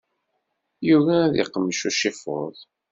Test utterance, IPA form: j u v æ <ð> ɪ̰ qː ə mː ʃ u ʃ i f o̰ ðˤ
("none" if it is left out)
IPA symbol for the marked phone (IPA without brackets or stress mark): ð